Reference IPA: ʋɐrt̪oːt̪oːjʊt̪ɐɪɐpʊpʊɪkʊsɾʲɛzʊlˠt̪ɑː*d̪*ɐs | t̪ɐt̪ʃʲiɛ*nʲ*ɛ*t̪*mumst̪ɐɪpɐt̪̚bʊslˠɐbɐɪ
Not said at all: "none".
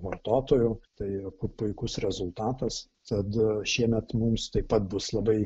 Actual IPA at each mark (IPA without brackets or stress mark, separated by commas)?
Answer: t̪, mʲ, t̪